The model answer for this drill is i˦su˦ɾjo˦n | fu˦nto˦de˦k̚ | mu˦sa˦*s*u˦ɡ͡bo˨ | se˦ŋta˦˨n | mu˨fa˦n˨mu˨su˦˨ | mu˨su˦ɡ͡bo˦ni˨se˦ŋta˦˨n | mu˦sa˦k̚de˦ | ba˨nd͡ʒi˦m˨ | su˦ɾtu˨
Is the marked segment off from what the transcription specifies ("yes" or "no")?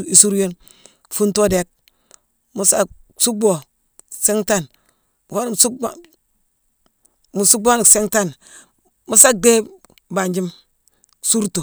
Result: no